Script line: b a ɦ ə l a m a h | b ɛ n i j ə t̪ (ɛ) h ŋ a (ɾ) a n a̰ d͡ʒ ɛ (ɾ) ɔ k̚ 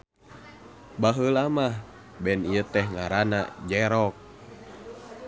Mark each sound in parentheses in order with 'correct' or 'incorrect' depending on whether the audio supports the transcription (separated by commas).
correct, correct, correct